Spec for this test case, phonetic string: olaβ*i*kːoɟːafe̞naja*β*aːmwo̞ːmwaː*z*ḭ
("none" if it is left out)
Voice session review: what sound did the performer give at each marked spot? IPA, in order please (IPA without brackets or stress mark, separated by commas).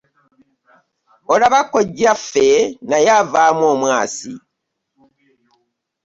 a, v, s